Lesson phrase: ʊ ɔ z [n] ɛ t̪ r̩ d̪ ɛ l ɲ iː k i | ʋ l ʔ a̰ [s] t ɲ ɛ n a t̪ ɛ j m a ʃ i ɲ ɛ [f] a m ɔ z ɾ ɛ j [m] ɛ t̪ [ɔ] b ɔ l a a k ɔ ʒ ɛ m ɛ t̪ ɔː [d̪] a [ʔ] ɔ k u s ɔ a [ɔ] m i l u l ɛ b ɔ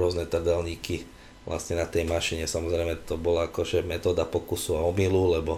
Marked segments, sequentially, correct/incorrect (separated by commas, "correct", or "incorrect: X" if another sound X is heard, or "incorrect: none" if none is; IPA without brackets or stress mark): correct, correct, incorrect: s, correct, correct, correct, incorrect: p, correct